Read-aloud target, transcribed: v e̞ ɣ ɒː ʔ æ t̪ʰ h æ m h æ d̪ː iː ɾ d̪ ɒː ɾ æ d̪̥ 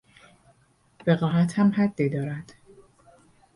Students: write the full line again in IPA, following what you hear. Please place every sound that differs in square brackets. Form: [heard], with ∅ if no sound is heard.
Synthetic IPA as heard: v e̞ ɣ ɒː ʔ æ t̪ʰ h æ m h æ d̪ː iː [∅] d̪ ɒː ɾ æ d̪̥